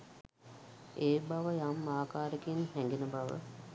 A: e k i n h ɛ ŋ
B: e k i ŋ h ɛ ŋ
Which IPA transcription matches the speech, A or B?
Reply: A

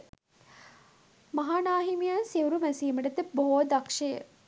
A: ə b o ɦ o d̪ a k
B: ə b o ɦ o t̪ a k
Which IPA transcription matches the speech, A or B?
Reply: A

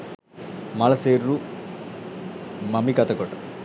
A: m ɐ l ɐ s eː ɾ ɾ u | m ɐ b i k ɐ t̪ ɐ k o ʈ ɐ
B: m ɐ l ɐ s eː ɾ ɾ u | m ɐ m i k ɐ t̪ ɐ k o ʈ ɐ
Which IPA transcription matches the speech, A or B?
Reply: B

